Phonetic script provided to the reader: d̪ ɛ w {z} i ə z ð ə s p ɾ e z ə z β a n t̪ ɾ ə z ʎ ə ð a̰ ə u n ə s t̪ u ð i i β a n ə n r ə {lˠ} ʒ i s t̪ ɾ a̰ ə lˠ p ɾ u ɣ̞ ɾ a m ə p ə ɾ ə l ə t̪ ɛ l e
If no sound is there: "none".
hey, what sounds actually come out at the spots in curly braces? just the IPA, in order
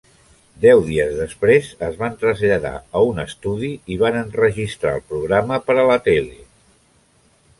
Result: ð, none

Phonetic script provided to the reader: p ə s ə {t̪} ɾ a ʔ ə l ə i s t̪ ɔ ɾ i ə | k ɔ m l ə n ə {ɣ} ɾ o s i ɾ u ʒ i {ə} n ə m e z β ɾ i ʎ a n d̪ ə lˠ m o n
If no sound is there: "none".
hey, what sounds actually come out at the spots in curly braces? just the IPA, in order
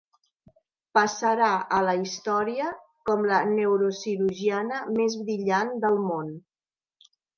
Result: none, w, a

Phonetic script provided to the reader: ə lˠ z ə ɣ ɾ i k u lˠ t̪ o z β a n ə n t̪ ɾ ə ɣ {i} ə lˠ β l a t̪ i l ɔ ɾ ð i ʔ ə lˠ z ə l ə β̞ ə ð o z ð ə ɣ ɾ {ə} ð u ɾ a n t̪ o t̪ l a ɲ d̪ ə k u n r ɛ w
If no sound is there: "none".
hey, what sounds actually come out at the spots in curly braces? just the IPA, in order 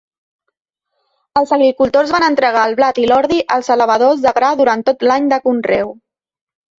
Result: a, a

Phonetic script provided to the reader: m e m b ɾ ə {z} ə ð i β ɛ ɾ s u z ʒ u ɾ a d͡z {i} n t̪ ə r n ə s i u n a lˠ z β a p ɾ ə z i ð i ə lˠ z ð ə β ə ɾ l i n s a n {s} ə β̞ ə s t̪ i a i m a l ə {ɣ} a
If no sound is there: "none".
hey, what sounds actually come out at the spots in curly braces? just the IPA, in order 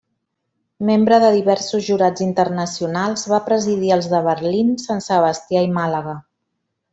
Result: ð, i, s, ɣ

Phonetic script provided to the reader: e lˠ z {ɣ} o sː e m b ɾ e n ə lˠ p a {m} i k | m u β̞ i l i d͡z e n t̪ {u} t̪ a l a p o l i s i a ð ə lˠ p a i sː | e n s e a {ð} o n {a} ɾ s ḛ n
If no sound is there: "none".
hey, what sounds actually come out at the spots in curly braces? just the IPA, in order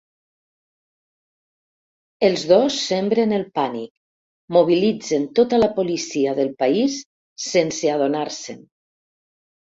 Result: ð, n, o, ð, a

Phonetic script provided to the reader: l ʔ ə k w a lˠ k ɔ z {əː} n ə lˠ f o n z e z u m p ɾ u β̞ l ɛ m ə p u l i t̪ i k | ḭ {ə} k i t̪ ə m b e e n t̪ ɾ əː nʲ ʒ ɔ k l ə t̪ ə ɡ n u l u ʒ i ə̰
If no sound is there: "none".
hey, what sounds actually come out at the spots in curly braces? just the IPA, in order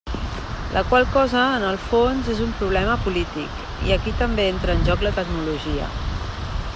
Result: əː, ə

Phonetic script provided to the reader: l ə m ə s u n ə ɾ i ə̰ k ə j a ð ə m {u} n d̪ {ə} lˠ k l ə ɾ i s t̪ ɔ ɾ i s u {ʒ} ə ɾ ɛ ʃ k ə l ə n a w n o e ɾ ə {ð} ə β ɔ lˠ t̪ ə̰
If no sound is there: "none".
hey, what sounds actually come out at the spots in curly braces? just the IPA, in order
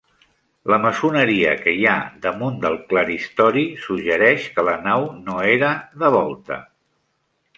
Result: u, ə, ʒ, ð

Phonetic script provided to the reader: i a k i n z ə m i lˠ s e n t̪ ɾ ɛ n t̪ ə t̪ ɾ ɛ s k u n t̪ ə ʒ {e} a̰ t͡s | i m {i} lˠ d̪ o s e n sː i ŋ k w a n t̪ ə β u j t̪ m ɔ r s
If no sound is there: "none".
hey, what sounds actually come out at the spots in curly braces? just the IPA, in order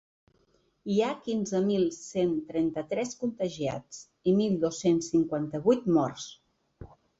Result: i, i

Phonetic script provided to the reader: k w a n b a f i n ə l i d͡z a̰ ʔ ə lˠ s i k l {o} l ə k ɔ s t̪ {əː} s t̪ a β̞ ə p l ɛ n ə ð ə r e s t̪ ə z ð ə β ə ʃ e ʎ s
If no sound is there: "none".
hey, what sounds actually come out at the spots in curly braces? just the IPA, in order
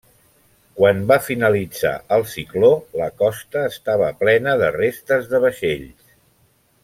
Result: o, əː

